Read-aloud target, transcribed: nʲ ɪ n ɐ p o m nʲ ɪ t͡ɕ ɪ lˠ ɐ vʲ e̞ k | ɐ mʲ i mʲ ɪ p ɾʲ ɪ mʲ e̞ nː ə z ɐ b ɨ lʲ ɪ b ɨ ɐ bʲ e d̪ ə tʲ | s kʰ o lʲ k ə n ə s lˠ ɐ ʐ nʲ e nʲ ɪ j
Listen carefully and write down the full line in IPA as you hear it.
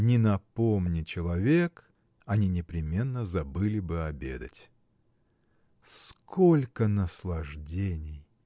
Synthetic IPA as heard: nʲ ɪ n ɐ p o m nʲ ɪ t͡ɕ ɪ lˠ ɐ vʲ e̞ k | ɐ nʲ i nʲ ɪ p ɾʲ ɪ mʲ e̞ nː ə z ɐ b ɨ lʲ ɪ b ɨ ɐ bʲ e d̪ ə tʲ | s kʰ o lʲ k ə n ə s lˠ ɐ ʐ dʲ e nʲ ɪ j

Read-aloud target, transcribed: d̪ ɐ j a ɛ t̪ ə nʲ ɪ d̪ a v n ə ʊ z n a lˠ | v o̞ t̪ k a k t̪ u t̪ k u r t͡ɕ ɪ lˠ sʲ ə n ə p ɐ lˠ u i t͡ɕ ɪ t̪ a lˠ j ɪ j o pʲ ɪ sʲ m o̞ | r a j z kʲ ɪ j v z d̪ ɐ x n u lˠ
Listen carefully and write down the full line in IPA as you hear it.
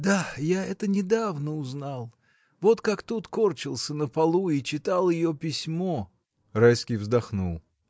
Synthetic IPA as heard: d̪ a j a ɛ t̪ ə nʲ ɪ d̪ a v n ə ʊ z n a lˠ | v o̞ t̪ k a k t̪ u t̪ k o r t͡ɕ ɪ lˠ sʲ ə n ə p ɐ lˠ u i t͡ɕ ɪ t̪ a lˠ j ɪ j o pʲ ɪ sʲ m o̞ | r a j s kʲ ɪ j v z d̪ ɐ x n u lˠ

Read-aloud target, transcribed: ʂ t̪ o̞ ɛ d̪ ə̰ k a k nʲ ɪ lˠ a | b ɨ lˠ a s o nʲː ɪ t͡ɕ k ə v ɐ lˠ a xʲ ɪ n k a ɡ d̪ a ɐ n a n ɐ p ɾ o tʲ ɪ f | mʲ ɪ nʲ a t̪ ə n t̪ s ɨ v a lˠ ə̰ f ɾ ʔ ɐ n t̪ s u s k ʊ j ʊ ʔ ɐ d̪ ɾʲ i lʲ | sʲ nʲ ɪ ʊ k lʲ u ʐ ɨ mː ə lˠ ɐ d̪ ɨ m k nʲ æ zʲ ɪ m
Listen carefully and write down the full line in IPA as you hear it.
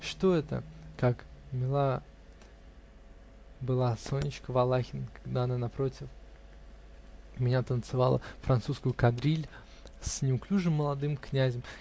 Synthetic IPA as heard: ʂ t̪ o̞ ɛ t̪ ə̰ k a k mʲ ɪ lˠ a | b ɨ lˠ a s o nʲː ɪ t͡ɕ k ə v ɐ lˠ a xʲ ɪ n k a ɡ d̪ a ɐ n a n ɐ p ɾ o tʲ ɪ f | mʲ ɪ nʲ a t̪ ə n t̪ s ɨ v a lˠ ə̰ f ɾ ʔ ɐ n t̪ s u s k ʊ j ʊ k ɐ d̪ ɾʲ i lʲ | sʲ nʲ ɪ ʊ k lʲ u ʐ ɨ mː ə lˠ ɐ d̪ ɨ m k nʲ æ zʲ ɪ m

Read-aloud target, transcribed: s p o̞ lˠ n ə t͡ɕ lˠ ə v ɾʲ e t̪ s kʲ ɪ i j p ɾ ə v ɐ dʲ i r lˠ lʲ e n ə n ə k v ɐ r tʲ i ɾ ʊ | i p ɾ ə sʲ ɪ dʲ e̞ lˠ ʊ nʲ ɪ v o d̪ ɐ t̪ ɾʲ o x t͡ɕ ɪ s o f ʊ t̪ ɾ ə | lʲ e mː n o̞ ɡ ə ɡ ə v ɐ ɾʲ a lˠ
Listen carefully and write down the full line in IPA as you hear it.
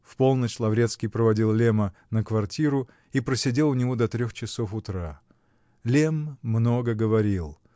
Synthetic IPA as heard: f p o̞ lˠ n ə t͡ɕ lˠ ɐ v ɾʲ e t̪ s kʲ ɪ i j p ɾ ə v ɐ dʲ i lˠ lʲ e m ə n ə k v ɐ r tʲ i ɾ ʊ | i p ɾ ə sʲ ɪ dʲ e̞ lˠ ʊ nʲ ɪ v o d̪ ɐ t̪ ɾʲ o x t͡ɕ ɪ s o f ʊ t̪ ɾ a | lʲ e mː n o̞ ɡ ə ɡ ə v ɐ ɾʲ i lˠ

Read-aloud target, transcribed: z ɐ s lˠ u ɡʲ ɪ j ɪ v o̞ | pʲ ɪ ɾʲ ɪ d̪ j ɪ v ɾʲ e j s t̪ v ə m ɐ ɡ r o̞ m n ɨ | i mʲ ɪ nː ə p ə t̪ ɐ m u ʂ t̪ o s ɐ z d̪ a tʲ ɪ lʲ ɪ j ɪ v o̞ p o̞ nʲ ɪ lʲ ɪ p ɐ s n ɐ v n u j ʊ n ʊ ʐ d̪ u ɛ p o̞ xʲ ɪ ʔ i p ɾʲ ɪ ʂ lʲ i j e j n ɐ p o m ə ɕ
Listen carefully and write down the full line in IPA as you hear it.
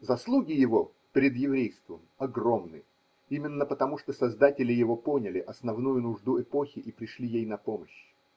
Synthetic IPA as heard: z ɐ s lˠ u ɡʲ ɪ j ɪ v o̞ | pʲ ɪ ɾʲ ɪ d̪ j ɪ v ɾʲ e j s t̪ v ə m ɐ ɡ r o̞ m n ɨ | i mʲ ɪ nː ə p ə t̪ ɐ m u ʂ t̪ o s ɐ z d̪ a tʲ ɪ lʲ ɪ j ɪ v o̞ p o̞ nʲ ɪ lʲ ɪ ʔ ɐ s n ɐ v n u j ʊ n ʊ ʐ d̪ u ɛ p o̞ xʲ ɪ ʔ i p ɾʲ ɪ ʂ lʲ i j e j n ɐ p o m ə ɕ

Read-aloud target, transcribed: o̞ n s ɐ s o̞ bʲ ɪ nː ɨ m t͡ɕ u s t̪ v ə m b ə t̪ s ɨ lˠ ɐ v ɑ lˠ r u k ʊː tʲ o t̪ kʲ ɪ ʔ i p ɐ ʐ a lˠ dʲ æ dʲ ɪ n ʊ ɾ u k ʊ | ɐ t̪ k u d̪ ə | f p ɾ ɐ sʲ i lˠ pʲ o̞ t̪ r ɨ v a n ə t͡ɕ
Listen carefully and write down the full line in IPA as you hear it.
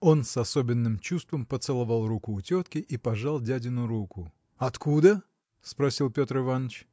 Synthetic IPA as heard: o̞ n s ɐ s o̞ bʲ ɪ nː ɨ m t͡ɕ u s t̪ v ə m p ə t̪ s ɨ lˠ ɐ v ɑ lˠ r u k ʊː tʲ o t̪ kʲ ɪ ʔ i p ɐ ʐ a lˠ dʲ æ dʲ ɪ n ʊ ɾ u k ʊ | ɐ t̪ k u d̪ ə | s p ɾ ɐ sʲ i lˠ pʲ o̞ t̪ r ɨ v a n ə t͡ɕ

